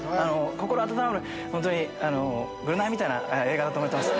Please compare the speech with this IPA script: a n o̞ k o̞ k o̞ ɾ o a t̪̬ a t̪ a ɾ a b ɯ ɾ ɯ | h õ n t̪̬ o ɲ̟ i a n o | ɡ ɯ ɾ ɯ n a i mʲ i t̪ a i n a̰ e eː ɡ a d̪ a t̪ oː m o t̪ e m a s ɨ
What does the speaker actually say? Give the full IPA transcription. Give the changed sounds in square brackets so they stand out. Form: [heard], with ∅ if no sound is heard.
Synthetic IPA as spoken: a n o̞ k o̞ k o̞ ɾ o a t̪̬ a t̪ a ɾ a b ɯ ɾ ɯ | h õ n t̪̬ o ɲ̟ i a n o | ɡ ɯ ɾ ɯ n a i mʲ i t̪ a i n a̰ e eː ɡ a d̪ a t̪ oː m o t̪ e m a s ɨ